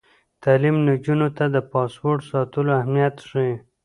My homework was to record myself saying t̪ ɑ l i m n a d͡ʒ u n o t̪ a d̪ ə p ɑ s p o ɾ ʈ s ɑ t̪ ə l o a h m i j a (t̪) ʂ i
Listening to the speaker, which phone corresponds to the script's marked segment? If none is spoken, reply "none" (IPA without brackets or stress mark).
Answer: t̪